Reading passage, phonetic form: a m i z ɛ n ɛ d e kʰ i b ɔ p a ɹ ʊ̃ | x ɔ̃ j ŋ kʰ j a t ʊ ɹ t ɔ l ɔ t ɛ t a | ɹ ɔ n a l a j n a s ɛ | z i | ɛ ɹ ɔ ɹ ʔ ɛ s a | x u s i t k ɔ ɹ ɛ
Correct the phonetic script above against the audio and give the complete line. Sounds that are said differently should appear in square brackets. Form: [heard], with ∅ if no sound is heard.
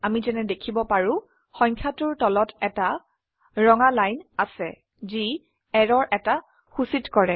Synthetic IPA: a m i z ɛ n ɛ d e kʰ i b ɔ p a ɹ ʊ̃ | x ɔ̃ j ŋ kʰ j a t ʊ ɹ t ɔ l ɔ t ɛ t a | ɹ ɔ [ŋ] a l a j n a s ɛ | z i | ɛ ɹ ɔ ɹ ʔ ɛ [t] a | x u s i t k ɔ ɹ ɛ

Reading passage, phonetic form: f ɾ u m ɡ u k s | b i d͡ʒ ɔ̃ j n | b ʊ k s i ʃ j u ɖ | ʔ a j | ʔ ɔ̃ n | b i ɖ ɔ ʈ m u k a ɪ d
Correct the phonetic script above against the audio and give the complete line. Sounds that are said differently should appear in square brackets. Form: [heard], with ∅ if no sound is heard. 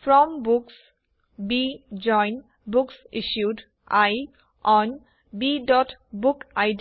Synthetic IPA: f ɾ [ɔ] m [b] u k s | b i d͡ʒ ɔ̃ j n | b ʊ k s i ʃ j u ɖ | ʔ a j | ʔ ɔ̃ n | b i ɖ ɔ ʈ [b] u k a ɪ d

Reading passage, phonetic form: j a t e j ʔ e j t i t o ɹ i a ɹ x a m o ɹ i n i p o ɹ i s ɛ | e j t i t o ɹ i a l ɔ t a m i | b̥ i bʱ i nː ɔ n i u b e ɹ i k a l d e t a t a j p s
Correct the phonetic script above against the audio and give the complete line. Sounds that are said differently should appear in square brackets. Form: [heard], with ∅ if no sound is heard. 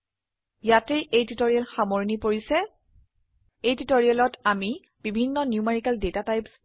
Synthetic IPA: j a t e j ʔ e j t i t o ɹ i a [l] x a m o ɹ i n i p o ɹ i s ɛ | e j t i t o ɹ i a l ɔ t a m i | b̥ i bʱ i nː ɔ n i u [m] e ɹ i k a l d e t a t a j p s

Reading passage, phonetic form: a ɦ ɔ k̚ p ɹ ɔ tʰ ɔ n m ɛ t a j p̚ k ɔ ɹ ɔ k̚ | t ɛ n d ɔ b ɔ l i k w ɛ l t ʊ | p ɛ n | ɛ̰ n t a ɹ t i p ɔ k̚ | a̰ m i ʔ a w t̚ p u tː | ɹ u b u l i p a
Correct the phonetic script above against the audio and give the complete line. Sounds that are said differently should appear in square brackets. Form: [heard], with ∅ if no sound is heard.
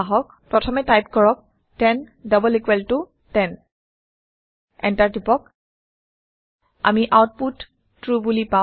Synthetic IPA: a ɦ ɔ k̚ p ɹ ɔ tʰ ɔ [∅] m ɛ t a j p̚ k ɔ ɹ ɔ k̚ | t ɛ n d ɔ b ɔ l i k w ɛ l t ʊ | [t] ɛ n | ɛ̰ n t a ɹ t i p ɔ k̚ | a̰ m i ʔ a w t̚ p u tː | ɹ u b u l i p a

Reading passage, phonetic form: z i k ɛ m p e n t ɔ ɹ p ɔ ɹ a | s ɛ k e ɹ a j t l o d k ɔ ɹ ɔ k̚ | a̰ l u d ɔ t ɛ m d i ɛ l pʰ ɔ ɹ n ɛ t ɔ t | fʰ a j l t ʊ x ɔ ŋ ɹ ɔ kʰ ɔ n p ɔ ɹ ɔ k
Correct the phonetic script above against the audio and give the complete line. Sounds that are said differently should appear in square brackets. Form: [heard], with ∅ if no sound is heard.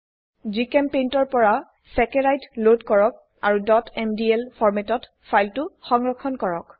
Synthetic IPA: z i k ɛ m p e n t ɔ ɹ p ɔ ɹ a | s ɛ k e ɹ a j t l o d k ɔ ɹ ɔ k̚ | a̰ [ɹ] u d ɔ t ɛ m d i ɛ l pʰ ɔ ɹ [m] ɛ t ɔ t | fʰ a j l t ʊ x ɔ ŋ ɹ ɔ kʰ ɔ n [k] ɔ ɹ ɔ k

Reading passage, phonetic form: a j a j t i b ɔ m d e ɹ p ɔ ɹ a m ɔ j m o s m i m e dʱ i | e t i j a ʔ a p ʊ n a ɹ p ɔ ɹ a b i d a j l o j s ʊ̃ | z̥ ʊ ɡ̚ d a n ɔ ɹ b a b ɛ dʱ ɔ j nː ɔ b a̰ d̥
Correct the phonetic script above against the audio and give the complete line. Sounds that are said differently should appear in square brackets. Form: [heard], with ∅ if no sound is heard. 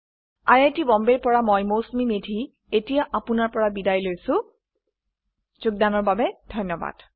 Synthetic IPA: a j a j t i b ɔ m [b] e ɹ p ɔ ɹ a m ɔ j m o s m i m e dʱ i | e t i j a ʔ a p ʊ n a ɹ p ɔ ɹ a b i d a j l o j s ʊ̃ | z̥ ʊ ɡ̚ d a n ɔ ɹ b a b ɛ dʱ ɔ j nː ɔ b a̰ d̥

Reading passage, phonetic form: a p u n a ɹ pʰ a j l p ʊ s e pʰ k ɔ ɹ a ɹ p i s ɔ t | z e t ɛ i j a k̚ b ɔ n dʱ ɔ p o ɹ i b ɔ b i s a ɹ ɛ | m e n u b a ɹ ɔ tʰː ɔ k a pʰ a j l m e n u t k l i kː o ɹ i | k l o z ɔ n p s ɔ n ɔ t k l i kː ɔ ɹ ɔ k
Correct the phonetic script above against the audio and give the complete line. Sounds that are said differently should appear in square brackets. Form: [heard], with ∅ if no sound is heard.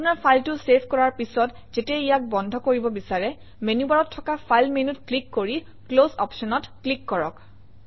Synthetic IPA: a p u n a ɹ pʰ a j l [t] ʊ s e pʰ k ɔ ɹ a ɹ p i s ɔ t | z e t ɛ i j a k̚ b ɔ n dʱ ɔ [k] o ɹ i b ɔ b i s a ɹ ɛ | m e n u b a ɹ ɔ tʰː ɔ k a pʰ a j l m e n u t k l i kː o ɹ i | k l o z ɔ [∅] p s ɔ n ɔ t k l i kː ɔ ɹ ɔ k

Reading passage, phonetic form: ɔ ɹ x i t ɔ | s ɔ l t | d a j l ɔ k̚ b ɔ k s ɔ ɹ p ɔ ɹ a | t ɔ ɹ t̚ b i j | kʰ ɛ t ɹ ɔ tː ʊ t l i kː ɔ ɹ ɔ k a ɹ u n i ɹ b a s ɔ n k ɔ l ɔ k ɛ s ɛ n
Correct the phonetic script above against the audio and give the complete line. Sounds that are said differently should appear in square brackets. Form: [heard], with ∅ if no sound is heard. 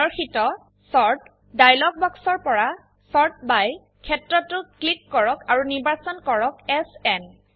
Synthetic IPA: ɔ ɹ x i t ɔ | s ɔ [ɹ] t | d a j l ɔ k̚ b ɔ k s ɔ ɹ p ɔ ɹ a | [s] ɔ ɹ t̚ b [a] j | kʰ ɛ t ɹ ɔ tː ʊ [k] l i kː ɔ ɹ ɔ k a ɹ u n i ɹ b a s ɔ n k ɔ [ɹ] ɔ k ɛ s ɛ n

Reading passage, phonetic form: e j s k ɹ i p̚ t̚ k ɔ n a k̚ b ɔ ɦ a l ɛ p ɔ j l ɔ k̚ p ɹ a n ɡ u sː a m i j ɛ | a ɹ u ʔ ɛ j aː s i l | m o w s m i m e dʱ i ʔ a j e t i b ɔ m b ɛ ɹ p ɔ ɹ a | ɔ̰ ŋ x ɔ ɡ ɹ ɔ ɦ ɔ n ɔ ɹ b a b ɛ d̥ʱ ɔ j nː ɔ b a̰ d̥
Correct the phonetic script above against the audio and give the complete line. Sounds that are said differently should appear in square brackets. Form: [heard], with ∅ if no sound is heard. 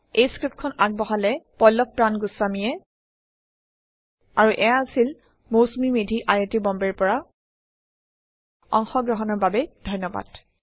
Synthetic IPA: e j s k ɹ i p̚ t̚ [kʰ] ɔ n a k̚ b ɔ ɦ a l ɛ p ɔ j l ɔ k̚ p ɹ a n ɡ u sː a m i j ɛ | a ɹ u ʔ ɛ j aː s i l | m o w s m i m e dʱ i ʔ a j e t i b ɔ m b ɛ ɹ p ɔ ɹ a | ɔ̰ ŋ x ɔ ɡ ɹ ɔ ɦ ɔ n ɔ ɹ b a b ɛ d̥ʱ ɔ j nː ɔ b a̰ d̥

